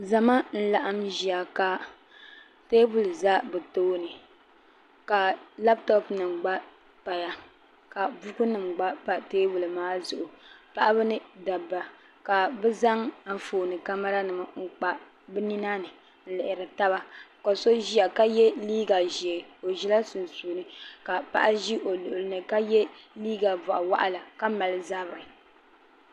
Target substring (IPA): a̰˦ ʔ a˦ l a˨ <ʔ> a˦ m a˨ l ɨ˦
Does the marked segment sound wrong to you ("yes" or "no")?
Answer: yes